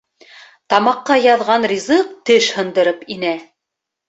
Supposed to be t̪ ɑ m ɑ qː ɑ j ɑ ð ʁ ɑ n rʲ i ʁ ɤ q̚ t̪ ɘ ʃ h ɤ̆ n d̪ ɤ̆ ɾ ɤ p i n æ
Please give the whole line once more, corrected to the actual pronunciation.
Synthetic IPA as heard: t̪ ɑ m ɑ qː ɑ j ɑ ð ʁ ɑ n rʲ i z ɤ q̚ t̪ ɘ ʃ h ɤ̆ n d̪ ɤ̆ ɾ ɤ p i n æ